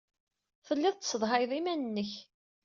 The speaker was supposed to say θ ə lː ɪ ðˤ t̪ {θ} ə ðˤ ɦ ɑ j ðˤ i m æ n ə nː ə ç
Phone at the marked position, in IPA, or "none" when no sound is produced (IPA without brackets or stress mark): s